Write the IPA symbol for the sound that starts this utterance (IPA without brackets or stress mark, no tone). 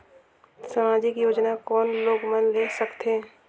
s